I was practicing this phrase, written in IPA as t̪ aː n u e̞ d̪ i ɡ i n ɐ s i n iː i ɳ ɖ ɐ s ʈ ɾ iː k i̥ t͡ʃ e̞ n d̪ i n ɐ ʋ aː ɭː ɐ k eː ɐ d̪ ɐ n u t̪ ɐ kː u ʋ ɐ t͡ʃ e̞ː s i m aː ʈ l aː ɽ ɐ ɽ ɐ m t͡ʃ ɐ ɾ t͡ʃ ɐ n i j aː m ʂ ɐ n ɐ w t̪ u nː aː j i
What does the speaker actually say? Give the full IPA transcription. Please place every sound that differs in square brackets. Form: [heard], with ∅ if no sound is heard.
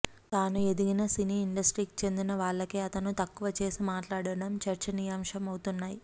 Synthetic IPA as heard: t̪ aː n u e̞ d̪ i ɡ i n ɐ s i n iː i ɳ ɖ ɐ s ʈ ɾ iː k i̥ t͡ʃ e̞ n d̪ i n ɐ ʋ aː ɭː ɐ k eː ɐ [t̪] ɐ n u t̪ ɐ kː u ʋ ɐ t͡ʃ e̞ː s i m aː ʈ l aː ɽ ɐ ɽ ɐ m t͡ʃ ɐ ɾ t͡ʃ ɐ n i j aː m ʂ ɐ [m] ɐ w t̪ u nː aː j i